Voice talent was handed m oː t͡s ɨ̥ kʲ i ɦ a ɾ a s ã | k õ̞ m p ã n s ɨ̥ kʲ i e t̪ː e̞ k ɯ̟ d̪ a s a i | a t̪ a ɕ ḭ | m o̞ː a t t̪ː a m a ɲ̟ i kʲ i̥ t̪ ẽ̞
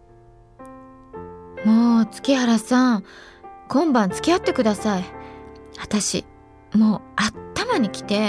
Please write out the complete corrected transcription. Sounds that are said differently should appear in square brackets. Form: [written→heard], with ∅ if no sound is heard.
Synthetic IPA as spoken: m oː t͡s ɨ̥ kʲ i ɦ a ɾ a s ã | k õ̞ m [p→b] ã n [s→t͡s] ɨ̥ kʲ i [e→a] t̪ː e̞ k ɯ̟ d̪ a s a i | a t̪ a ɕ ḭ | m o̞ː a t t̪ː a m a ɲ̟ i kʲ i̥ t̪ [ẽ̞→e̞]